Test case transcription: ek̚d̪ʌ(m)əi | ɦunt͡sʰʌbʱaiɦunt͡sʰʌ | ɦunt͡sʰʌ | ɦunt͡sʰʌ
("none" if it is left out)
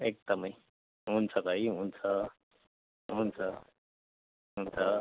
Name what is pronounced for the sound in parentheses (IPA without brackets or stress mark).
m